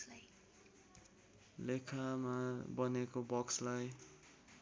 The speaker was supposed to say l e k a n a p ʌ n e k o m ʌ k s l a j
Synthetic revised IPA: l e kʰ a m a b ʌ n e k o b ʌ k s l a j